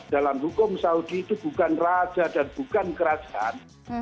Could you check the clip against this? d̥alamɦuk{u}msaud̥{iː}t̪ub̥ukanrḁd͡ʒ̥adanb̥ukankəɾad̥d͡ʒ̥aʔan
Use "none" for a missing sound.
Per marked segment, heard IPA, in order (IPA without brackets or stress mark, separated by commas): ʊ, iː